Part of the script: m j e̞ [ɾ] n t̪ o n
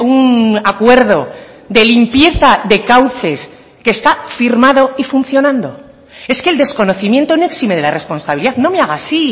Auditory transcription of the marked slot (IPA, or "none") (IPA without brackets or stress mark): none